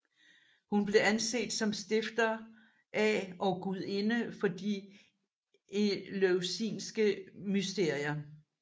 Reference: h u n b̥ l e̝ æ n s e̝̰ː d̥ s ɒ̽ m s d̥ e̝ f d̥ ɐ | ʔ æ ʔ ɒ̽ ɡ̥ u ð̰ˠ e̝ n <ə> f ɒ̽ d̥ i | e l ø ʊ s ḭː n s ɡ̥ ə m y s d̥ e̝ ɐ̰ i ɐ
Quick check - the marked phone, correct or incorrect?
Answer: correct